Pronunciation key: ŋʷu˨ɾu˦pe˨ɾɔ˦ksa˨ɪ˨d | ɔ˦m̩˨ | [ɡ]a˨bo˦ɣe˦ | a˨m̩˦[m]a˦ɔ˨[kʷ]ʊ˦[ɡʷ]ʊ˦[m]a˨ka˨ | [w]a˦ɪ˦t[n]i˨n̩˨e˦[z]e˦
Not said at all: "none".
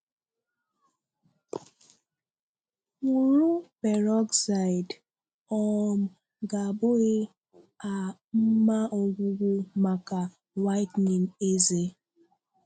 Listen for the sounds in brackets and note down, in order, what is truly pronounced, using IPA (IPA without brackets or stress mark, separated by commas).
ɡ, m, ɡʷ, ɡʷ, m, w, n, z